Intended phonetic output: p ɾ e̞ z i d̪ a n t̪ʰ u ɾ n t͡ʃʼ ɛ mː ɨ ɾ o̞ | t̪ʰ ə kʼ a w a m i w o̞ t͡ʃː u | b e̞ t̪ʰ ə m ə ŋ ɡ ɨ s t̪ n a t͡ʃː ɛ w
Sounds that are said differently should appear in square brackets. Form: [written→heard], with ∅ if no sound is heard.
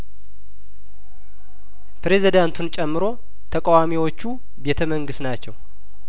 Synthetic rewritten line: p ɾ e̞ z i d̪ a n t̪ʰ u [ɾ→∅] n t͡ʃʼ ɛ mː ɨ ɾ o̞ | t̪ʰ ə kʼ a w a m i w o̞ t͡ʃː u | b e̞ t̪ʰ ə m ə ŋ ɡ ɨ s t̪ n a t͡ʃː ɛ w